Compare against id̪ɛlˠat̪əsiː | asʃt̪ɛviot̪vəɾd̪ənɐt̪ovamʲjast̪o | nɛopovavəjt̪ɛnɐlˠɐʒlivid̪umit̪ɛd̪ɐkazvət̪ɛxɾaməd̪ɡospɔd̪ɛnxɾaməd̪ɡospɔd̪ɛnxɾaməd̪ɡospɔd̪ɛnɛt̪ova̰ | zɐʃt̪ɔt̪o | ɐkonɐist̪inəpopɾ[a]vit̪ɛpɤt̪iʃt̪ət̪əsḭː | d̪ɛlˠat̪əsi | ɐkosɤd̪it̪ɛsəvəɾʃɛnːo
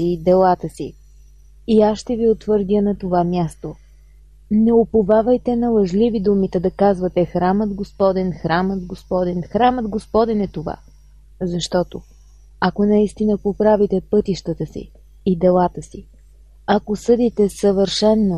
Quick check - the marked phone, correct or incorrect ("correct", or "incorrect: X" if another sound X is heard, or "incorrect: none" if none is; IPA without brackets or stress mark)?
correct